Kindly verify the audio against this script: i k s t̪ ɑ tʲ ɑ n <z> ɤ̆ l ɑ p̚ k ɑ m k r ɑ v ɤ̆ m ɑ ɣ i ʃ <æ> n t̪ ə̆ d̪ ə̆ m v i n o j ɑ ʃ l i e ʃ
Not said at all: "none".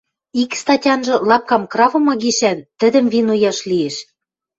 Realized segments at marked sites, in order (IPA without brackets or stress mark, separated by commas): ʒ, æ